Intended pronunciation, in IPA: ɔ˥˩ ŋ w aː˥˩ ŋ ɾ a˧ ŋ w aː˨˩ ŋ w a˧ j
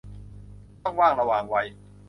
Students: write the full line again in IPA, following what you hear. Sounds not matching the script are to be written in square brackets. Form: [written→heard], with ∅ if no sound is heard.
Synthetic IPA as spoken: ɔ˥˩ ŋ w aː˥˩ ŋ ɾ a˧ [ŋ→∅] w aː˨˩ ŋ w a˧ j